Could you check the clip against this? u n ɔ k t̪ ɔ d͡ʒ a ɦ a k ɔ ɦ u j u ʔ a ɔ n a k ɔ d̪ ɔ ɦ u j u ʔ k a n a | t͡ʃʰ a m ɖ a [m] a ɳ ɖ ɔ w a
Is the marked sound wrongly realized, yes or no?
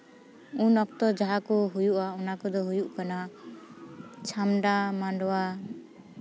no